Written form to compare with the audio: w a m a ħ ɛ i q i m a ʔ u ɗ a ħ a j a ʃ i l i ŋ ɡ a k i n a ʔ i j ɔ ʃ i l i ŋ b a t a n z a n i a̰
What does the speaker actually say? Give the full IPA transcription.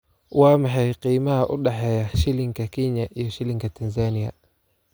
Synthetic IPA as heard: w a m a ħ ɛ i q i m a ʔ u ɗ a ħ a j a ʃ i l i ŋ ɡ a k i ɲ a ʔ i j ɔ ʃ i l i ŋ ɡ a t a n z a n i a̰

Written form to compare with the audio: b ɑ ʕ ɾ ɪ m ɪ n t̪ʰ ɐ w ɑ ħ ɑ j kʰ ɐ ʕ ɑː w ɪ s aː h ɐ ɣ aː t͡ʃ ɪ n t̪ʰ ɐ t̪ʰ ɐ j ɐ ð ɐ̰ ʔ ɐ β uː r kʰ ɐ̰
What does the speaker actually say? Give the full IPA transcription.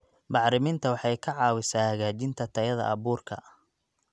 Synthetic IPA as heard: b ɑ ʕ ɾ ɪ m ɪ n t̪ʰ ɐ w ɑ ħ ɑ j kʰ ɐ ʕ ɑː w ɪ s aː h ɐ ɣ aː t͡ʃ ɪ n t̪ʰ ɐ t̪ʰ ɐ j ɐ ð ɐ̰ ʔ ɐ β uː r kʰ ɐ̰

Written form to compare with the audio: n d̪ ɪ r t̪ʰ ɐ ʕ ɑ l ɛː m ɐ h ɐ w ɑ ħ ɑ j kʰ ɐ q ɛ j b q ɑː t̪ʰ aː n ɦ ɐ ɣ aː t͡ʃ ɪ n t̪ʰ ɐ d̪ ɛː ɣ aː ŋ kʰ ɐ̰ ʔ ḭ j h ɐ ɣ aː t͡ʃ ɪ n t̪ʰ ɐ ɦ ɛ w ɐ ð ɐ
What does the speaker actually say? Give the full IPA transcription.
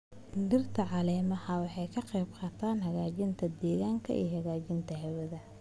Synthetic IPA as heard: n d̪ ɪ r t̪ʰ ɐ ʕ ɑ l ɛː m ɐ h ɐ w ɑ ħ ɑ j kʰ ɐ q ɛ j b q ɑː t̪ʰ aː n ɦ ɐ ɣ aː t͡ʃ ɪ n t̪ʰ ɐ d̪ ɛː ɣ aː ŋ kʰ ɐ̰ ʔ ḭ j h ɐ ɣ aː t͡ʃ ɪ n t̪ʰ ɐ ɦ ɛ w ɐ ð ɐ

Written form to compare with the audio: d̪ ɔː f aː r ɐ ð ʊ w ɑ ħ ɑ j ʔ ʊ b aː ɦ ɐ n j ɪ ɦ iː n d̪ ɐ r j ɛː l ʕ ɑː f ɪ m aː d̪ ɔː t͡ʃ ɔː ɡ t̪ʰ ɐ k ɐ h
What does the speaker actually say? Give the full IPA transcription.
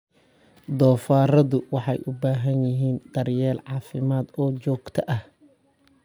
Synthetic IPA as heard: d̪ ɔː f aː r ɐ ð ʊ w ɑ ħ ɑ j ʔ ʊ b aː ɦ ɐ n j ɪ ɦ iː n d̪ ɐ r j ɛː l ʕ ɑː f ɪ m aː d̪ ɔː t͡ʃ ɔː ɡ t̪ʰ ɐ ʔ ɐ h

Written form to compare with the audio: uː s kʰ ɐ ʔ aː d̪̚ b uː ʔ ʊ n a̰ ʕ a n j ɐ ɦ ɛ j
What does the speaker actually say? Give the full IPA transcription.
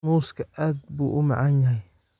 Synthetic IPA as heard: uː s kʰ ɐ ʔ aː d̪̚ b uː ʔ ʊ m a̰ ʕ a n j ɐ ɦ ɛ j

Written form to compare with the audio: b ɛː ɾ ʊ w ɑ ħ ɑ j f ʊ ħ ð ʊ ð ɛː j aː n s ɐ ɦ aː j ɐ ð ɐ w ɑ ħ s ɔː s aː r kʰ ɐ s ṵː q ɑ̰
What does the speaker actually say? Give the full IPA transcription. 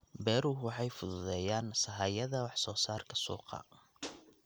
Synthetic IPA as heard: b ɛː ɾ ʊ w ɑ ħ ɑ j f ʊ ð ʊ ð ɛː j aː n s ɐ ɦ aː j ɐ ð ɐ w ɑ ħ s ɔː s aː r kʰ ɐ s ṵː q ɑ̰

